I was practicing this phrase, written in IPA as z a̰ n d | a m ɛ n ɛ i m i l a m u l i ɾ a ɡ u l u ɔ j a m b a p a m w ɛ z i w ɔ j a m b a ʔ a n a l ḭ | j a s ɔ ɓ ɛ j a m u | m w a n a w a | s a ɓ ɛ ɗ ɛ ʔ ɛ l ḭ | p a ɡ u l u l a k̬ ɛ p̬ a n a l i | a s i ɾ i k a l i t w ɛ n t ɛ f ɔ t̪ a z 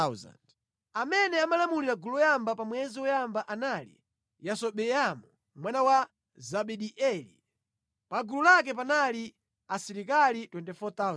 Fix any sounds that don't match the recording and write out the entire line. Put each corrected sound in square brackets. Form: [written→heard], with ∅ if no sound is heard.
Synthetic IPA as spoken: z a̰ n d | a m ɛ n ɛ [i→a] m [i→a] l a m u l i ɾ a ɡ u l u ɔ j a m b a p a m w ɛ z i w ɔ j a m b a ʔ a n a l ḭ | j a s ɔ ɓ ɛ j a m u | m w a n a w a | [s→z] a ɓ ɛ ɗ [ɛ→i] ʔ ɛ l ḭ | p a ɡ u l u l a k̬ ɛ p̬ a n a l i | a s i ɾ i k a l i t w ɛ n t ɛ f ɔ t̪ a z